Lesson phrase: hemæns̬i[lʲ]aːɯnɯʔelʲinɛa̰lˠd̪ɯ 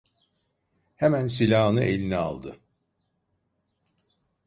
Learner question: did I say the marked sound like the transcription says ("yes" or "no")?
yes